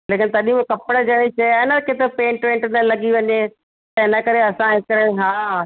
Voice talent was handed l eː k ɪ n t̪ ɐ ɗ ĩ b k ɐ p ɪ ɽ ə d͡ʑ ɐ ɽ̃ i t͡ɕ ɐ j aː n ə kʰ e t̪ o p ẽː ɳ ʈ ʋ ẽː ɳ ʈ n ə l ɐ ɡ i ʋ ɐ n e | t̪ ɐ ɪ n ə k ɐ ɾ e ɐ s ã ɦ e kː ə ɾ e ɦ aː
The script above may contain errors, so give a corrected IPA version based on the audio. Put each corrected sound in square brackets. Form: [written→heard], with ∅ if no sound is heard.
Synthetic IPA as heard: l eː k ɪ n t̪ ɐ ɗ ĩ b k ɐ p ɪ ɽ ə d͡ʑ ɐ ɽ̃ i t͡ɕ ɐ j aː n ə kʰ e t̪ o p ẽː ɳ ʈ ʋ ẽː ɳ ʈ n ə l ɐ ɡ i ʋ ɐ [n→ɲ] e | t̪ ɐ ɪ n ə k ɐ ɾ e ɐ s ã ɦ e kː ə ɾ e ɦ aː